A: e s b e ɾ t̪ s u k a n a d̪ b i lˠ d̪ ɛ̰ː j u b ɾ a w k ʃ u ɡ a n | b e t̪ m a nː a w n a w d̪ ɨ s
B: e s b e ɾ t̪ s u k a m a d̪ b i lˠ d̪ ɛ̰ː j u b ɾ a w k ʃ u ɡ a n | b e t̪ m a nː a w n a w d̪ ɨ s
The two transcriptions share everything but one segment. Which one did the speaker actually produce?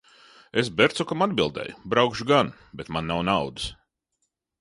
B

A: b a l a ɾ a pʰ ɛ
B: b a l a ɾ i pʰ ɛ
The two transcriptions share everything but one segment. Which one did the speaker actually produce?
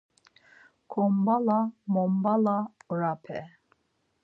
A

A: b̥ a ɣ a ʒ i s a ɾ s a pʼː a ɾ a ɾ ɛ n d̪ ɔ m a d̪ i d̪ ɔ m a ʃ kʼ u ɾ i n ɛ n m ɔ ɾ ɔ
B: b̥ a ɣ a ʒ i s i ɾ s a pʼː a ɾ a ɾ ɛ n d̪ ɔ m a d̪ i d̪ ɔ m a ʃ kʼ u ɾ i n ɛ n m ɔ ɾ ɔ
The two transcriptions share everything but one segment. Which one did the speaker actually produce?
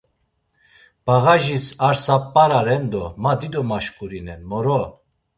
A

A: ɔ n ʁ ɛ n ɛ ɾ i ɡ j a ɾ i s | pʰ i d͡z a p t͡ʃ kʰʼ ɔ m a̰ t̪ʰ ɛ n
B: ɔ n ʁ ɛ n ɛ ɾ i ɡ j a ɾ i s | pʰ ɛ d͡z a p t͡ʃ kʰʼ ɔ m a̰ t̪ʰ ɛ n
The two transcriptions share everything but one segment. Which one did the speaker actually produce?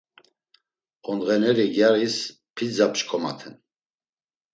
A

